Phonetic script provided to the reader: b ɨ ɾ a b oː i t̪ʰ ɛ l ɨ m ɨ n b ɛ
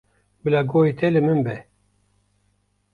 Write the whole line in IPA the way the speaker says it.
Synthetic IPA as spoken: b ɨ l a ɡ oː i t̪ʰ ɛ l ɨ m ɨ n b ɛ